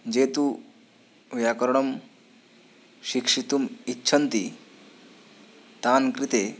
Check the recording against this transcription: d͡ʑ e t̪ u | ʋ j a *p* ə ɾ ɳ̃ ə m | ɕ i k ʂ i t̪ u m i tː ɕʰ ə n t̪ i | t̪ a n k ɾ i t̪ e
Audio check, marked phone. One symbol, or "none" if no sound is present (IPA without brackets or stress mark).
k